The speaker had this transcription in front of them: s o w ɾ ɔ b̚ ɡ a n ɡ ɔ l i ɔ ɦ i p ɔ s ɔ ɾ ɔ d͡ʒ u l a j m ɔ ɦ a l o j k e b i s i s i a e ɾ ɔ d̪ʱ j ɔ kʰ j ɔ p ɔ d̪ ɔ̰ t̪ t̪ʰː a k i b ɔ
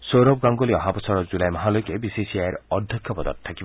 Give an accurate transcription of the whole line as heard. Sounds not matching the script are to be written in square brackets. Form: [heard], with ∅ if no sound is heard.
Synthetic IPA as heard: s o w ɾ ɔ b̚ ɡ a [ŋ] ɡ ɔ l i ɔ ɦ [a] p ɔ s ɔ ɾ ɔ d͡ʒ u l a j m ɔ ɦ a l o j k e b i s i s i a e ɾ ɔ d̪ʱ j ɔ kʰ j ɔ p ɔ d̪ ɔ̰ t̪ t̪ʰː a k i b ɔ